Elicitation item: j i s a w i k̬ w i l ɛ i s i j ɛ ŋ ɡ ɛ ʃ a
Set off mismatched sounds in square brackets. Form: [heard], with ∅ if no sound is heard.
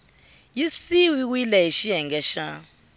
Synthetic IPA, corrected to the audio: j i s [i] w i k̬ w i l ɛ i [ʃ] i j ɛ ŋ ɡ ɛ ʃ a